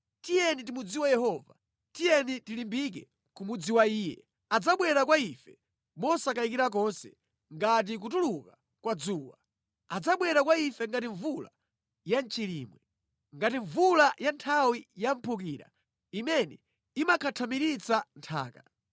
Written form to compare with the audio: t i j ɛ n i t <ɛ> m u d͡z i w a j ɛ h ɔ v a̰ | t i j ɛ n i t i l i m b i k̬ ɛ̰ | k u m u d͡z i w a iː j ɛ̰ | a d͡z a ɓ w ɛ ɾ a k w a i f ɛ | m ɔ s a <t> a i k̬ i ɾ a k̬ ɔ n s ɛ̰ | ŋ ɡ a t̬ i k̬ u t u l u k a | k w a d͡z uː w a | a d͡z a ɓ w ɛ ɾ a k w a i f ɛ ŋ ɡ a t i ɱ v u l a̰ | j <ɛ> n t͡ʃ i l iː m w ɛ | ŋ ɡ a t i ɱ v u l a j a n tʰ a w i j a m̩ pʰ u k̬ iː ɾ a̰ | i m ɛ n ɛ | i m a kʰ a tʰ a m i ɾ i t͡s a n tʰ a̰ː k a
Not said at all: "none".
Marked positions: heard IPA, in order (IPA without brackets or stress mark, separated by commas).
i, k, a